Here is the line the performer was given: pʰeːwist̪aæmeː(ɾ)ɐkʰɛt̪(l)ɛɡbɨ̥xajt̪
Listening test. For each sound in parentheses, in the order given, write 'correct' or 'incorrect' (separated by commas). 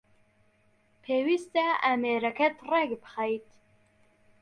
correct, incorrect